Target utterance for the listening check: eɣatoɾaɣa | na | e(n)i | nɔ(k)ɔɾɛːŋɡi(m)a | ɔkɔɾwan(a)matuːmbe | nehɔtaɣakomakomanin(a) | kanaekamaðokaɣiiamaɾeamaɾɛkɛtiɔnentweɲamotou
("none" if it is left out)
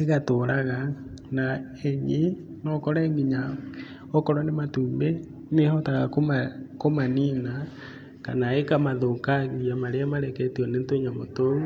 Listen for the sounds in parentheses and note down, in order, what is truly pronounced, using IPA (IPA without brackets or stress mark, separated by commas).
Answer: ɲ, k, ɲ, e, a